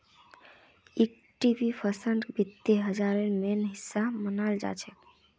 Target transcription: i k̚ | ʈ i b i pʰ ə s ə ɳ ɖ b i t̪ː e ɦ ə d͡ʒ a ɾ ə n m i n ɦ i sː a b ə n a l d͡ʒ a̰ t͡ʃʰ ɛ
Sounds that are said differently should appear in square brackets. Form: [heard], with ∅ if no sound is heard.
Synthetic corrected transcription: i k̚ | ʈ i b i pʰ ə s ə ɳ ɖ b i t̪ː e ɦ ə d͡ʒ a ɾ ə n m [e] n ɦ i sː a [m] ə n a l d͡ʒ a̰ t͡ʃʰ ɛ